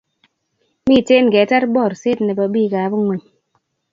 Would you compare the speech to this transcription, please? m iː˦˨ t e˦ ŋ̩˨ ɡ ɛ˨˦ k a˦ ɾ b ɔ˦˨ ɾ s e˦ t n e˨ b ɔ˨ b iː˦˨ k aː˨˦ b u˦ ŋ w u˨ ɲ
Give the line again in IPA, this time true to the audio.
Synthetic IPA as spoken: m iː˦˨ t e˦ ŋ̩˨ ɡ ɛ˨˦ t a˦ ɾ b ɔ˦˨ ɾ s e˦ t n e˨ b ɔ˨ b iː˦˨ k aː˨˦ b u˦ ŋ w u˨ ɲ